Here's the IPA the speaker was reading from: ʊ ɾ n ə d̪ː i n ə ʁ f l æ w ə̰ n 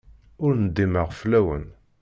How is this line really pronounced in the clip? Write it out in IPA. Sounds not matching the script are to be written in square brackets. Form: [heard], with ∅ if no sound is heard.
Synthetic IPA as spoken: ʊ ɾ n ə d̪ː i [m] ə ʁ f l æ w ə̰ n

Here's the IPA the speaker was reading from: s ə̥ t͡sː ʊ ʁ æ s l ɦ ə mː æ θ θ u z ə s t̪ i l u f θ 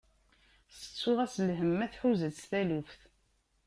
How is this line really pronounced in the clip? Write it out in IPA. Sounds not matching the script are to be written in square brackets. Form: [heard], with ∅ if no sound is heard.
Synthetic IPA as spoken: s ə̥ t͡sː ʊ ʁ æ s l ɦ ə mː æ θ [ħ] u z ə s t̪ [æ] l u f θ

